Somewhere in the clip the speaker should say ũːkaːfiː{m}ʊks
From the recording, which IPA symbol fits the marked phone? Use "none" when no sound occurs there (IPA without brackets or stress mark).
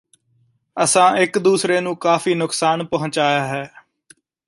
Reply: n